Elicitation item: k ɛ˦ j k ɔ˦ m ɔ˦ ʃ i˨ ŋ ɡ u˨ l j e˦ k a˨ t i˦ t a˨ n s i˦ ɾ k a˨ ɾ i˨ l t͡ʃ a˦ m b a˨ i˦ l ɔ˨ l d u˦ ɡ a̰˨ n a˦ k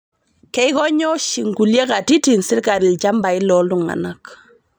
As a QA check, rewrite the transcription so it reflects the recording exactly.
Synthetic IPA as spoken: k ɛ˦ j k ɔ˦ ɲ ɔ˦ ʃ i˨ ŋ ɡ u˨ l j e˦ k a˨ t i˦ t i˨ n s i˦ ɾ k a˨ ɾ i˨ l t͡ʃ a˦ m b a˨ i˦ l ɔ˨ l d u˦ ŋ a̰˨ n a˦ k